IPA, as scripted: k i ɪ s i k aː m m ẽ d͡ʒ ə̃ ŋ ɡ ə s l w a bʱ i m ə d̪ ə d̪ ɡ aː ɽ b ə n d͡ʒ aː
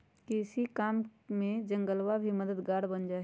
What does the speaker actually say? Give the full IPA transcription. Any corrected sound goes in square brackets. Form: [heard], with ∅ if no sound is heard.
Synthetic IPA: k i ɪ s i k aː m m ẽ d͡ʒ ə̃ ŋ ɡ ə [∅] l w a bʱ i m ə d̪ ə d̪ ɡ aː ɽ b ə n d͡ʒ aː